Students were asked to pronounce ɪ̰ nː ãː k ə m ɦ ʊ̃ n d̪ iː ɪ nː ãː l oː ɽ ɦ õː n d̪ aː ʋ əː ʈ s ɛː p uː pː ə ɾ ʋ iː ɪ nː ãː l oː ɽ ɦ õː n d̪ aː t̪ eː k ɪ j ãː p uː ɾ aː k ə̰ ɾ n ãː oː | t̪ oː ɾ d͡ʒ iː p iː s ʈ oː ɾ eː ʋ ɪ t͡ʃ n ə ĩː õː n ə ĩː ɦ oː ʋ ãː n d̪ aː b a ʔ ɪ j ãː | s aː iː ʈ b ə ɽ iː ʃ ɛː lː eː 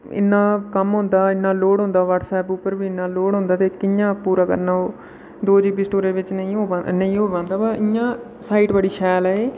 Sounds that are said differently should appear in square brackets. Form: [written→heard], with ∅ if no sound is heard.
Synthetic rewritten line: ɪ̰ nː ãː k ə m ɦ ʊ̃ n d̪ [iː→aː] ɪ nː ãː l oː ɽ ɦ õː n d̪ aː ʋ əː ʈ s ɛː p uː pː ə ɾ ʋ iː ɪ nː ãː l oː ɽ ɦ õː n d̪ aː t̪ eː k ɪ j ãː p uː ɾ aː k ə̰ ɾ n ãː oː | [t̪→d̪] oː [ɾ→∅] d͡ʒ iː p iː s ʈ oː ɾ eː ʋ ɪ t͡ʃ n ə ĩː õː n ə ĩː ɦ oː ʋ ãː n d̪ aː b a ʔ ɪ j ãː | s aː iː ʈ b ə ɽ iː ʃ ɛː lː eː